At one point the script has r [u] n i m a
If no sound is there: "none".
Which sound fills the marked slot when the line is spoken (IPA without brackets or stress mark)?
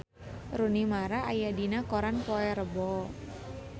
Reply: u